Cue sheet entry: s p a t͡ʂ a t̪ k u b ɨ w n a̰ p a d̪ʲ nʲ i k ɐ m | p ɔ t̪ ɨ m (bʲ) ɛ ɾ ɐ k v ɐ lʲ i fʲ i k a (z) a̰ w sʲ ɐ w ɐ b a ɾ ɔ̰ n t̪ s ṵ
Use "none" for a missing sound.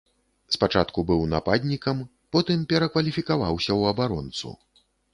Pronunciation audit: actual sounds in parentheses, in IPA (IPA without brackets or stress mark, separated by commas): pʲ, v